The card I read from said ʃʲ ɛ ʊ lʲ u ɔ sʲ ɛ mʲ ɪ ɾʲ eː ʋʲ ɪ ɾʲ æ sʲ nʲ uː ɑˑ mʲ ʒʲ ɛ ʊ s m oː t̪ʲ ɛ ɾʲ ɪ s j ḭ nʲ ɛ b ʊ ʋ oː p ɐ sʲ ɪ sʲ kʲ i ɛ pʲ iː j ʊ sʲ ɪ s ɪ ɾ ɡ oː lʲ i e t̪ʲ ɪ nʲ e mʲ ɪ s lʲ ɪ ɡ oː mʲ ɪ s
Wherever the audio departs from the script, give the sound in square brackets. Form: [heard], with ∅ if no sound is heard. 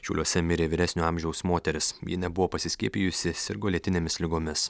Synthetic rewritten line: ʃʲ ɛ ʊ lʲ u ɔ sʲ ɛ mʲ ɪ ɾʲ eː ʋʲ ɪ ɾʲ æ sʲ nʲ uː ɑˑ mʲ ʒʲ ɛ ʊ s m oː t̪ʲ ɛ ɾʲ ɪ s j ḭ nʲ ɛ b ʊ ʋ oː p ɐ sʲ ɪ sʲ kʲ i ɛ pʲ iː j ʊ sʲ ɪ s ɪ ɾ ɡ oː lʲ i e t̪ʲ ɪ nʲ e mʲ ɪ s lʲ ɪ ɡ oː mʲ ɪ s